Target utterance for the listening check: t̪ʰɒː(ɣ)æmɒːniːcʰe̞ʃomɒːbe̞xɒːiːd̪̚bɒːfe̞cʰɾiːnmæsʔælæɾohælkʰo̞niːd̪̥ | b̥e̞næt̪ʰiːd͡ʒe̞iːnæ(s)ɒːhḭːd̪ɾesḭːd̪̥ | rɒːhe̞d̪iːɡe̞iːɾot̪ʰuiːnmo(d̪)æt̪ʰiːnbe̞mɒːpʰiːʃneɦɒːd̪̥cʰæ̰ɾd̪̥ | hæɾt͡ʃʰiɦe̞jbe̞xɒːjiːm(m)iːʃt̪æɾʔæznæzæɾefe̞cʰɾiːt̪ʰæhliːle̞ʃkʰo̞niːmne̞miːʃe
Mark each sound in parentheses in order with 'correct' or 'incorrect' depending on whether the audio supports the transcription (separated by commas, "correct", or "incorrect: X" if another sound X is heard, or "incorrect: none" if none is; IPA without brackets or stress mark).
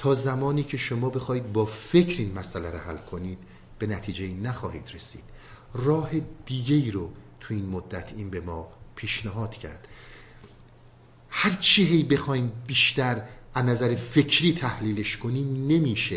incorrect: z, incorrect: x, incorrect: d̪ː, incorrect: b